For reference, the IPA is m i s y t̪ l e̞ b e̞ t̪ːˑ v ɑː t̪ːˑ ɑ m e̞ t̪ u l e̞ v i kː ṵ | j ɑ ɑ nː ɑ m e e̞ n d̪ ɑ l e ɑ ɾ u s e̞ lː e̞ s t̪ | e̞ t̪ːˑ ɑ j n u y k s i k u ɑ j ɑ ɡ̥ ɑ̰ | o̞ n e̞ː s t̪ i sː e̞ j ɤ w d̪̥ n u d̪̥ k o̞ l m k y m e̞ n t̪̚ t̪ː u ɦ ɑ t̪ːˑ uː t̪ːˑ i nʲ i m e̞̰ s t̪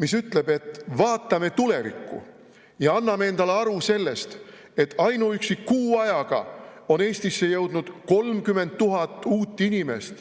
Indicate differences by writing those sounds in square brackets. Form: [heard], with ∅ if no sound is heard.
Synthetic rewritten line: m i s y t̪ l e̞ b e̞ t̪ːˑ v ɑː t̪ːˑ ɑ m e̞ t̪ u l e̞ v i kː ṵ | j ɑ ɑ nː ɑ m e e̞ n d̪ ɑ l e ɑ ɾ u s e̞ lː e̞ s t̪ | e̞ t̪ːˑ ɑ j n u y k s i k [uː] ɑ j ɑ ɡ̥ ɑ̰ | o̞ n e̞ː s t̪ i sː e̞ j ɤ w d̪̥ n u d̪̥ k o̞ l m k y m e̞ n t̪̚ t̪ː u ɦ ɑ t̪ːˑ uː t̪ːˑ i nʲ i m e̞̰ s t̪